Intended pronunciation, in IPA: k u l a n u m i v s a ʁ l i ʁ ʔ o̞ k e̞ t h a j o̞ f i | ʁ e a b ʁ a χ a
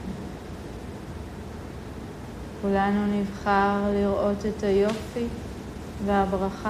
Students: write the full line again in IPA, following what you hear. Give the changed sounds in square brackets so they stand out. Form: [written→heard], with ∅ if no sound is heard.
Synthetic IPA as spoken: k u l a n u [m→n] i v [s→χ] a ʁ l i ʁ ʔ o̞ [k→t] e̞ t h a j o̞ f i | [ʁ→v] e a b ʁ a χ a